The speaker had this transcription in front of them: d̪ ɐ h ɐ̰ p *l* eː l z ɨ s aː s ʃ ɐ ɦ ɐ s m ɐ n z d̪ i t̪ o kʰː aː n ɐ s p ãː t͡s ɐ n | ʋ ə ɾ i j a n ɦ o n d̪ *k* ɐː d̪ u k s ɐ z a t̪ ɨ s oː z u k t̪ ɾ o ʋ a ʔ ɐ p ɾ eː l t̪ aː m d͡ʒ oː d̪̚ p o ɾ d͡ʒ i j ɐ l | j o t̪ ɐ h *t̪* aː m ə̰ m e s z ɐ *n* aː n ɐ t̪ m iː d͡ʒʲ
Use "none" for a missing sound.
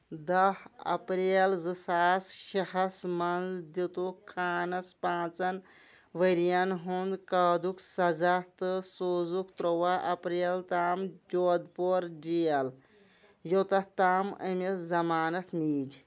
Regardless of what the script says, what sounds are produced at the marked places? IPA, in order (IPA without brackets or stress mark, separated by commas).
ɾ, k, t̪, m